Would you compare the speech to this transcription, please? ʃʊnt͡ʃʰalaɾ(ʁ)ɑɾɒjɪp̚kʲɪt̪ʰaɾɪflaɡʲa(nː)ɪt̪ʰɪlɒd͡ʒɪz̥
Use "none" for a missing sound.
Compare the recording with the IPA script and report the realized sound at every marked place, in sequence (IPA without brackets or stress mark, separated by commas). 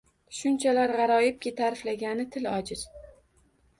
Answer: ʁ, n